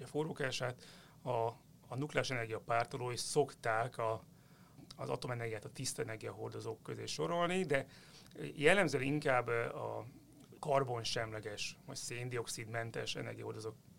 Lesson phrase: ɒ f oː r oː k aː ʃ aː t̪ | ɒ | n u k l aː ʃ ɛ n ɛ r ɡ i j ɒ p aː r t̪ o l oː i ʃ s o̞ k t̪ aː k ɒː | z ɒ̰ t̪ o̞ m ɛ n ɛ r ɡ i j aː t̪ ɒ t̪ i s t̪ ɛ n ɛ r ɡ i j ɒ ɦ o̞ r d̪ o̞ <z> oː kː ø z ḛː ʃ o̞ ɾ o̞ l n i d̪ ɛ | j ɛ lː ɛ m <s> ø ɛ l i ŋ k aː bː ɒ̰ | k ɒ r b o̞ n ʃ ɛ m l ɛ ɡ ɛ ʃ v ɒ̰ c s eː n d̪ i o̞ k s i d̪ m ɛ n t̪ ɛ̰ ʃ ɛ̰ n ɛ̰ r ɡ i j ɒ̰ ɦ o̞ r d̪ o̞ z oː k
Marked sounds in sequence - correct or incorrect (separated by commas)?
correct, incorrect